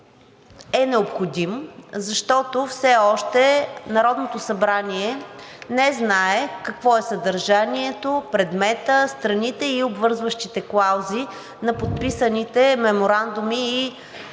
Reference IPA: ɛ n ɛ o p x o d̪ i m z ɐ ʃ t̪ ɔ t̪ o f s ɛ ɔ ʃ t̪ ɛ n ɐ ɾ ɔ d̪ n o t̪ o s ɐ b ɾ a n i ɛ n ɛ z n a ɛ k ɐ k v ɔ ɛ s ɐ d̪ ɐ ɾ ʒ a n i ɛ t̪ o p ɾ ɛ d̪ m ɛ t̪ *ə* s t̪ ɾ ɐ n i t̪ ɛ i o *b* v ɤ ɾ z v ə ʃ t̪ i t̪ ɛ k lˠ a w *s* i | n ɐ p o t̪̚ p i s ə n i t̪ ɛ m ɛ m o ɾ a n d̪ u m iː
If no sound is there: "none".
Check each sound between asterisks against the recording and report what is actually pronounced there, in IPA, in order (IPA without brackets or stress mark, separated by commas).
ə, b, z